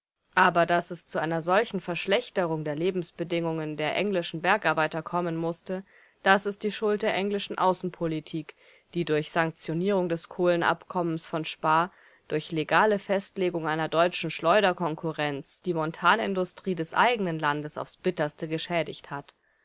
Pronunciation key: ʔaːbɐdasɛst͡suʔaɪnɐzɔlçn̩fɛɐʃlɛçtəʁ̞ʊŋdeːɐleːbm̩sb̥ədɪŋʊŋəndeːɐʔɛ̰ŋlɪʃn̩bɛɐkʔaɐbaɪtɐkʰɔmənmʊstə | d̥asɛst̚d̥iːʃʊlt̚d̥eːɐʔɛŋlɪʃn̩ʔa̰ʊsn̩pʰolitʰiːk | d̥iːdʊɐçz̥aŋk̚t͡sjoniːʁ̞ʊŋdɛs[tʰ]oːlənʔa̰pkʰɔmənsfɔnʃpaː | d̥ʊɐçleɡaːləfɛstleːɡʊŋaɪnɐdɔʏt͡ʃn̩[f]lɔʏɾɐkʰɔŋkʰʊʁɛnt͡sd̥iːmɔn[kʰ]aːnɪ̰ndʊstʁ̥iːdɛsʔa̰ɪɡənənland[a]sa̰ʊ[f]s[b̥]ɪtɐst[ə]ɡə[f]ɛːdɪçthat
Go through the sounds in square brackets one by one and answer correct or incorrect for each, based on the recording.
incorrect, incorrect, incorrect, incorrect, correct, correct, correct, incorrect

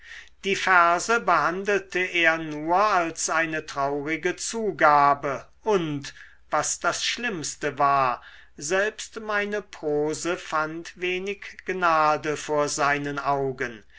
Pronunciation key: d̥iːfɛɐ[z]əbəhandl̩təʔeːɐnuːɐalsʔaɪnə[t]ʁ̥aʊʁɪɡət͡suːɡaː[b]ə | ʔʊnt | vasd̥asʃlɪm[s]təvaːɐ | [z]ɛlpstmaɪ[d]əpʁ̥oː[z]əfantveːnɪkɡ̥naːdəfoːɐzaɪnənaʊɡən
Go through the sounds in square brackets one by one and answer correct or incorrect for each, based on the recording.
correct, correct, correct, correct, correct, incorrect, correct

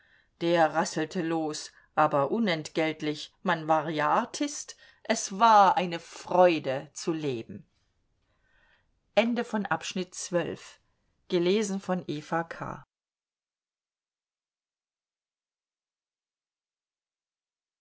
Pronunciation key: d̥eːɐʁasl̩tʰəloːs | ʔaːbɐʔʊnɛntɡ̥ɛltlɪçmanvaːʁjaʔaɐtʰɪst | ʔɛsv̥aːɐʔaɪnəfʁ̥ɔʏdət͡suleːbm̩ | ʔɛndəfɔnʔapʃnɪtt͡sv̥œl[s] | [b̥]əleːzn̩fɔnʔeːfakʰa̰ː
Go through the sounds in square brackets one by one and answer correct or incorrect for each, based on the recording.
incorrect, incorrect

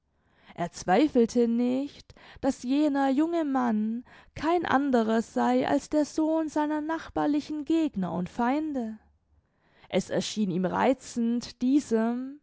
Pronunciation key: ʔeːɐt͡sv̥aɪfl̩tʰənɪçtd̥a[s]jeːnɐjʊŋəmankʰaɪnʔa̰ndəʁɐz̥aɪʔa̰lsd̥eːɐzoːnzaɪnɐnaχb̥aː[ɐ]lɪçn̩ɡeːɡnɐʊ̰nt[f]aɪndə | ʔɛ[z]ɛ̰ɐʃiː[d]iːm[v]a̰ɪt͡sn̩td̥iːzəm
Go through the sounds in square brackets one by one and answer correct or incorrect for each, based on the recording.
correct, correct, correct, incorrect, incorrect, incorrect

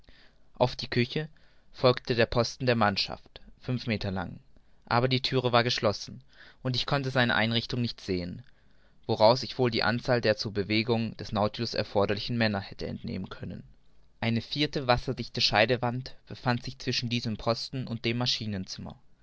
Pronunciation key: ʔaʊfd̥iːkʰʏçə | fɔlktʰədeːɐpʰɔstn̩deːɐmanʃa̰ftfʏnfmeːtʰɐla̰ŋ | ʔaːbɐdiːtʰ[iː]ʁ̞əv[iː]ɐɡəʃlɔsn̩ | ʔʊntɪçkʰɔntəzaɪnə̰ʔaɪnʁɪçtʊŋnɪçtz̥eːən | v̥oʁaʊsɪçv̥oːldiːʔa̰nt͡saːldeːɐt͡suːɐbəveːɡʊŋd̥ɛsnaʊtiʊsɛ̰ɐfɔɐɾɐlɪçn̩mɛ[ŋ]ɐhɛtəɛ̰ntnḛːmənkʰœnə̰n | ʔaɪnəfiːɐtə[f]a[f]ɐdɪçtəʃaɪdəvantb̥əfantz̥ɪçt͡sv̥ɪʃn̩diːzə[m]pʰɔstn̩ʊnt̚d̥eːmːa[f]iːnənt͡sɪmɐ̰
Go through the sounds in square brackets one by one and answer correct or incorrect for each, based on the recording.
incorrect, incorrect, incorrect, incorrect, incorrect, correct, incorrect

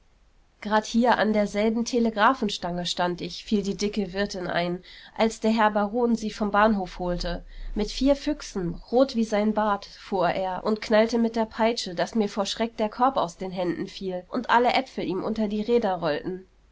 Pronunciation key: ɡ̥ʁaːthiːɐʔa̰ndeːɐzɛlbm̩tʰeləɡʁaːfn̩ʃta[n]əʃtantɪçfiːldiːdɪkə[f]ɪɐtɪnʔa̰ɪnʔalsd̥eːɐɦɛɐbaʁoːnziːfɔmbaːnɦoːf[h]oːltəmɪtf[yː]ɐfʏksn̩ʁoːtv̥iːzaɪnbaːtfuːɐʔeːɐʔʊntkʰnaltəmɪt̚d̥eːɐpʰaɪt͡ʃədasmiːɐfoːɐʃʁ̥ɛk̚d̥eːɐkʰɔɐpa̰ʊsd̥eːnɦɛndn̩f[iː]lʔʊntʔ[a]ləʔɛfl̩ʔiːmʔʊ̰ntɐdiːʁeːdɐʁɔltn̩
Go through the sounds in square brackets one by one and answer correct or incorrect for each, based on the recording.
incorrect, incorrect, correct, incorrect, correct, correct

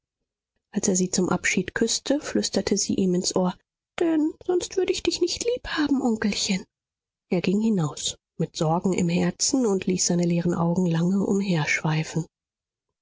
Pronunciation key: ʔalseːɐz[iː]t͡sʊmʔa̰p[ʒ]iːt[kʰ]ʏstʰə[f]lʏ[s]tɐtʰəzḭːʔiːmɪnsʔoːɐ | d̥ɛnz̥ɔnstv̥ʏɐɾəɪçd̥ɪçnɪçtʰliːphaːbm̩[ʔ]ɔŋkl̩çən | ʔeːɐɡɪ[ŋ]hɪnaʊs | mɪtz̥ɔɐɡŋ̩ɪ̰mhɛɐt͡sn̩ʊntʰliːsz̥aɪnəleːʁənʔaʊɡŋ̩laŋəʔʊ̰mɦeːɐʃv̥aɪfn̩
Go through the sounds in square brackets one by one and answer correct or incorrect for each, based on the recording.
correct, incorrect, correct, correct, correct, correct, correct

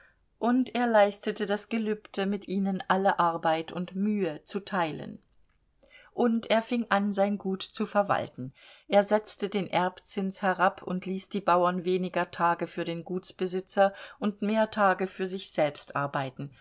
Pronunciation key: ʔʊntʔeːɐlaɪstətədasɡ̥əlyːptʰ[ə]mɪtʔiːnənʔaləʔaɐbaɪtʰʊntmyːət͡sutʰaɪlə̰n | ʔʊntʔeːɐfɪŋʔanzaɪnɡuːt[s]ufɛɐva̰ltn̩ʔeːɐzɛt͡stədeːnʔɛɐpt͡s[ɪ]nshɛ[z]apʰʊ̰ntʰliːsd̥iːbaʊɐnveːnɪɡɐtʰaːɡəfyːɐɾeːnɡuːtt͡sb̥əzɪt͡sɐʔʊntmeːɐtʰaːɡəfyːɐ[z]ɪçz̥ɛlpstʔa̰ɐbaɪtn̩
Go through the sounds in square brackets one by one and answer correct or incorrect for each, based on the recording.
correct, incorrect, correct, incorrect, correct

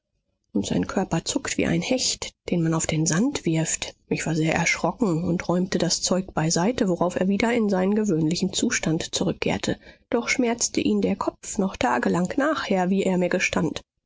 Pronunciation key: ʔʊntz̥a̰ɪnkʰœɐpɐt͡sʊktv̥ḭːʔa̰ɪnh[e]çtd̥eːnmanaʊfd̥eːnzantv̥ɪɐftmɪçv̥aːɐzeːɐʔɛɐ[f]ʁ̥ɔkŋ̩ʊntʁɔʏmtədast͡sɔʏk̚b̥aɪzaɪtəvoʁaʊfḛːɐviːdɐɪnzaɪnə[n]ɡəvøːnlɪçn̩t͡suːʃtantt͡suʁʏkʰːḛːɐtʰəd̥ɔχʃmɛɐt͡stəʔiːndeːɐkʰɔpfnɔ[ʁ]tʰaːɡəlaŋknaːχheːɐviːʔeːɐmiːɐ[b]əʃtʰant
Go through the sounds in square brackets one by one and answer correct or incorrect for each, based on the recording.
incorrect, incorrect, correct, incorrect, incorrect

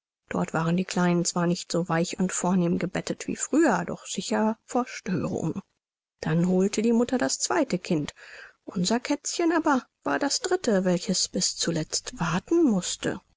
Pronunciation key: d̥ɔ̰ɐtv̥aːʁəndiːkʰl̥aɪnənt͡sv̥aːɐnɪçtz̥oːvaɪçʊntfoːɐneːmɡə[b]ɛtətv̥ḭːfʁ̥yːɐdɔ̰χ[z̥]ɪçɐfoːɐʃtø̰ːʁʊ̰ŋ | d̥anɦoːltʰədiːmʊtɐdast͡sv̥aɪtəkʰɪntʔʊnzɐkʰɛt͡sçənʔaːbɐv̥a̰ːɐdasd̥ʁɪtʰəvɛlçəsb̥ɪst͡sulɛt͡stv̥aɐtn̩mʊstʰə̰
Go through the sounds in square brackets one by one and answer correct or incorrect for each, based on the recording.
correct, correct

